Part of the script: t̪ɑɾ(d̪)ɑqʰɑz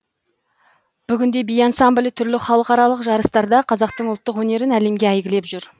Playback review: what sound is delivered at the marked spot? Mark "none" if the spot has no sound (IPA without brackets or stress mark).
d̪